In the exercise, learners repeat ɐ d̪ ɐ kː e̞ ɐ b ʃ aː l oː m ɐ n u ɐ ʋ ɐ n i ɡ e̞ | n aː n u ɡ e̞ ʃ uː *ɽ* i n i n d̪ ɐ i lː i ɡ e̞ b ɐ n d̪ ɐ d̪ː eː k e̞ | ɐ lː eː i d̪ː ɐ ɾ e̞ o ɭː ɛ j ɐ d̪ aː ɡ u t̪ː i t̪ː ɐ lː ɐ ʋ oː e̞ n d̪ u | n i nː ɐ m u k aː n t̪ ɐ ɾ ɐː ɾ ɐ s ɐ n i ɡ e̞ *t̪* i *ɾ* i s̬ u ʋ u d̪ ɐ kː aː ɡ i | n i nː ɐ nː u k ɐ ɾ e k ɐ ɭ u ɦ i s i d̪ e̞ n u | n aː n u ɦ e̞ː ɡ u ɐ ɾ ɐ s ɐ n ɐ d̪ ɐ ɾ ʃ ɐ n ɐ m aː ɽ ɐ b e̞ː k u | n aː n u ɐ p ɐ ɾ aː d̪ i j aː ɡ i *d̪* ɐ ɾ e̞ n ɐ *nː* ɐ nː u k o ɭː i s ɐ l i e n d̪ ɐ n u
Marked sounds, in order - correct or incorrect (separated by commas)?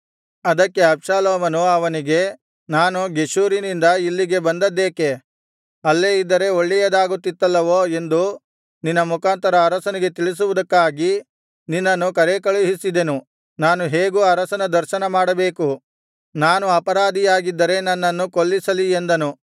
incorrect, correct, incorrect, incorrect, correct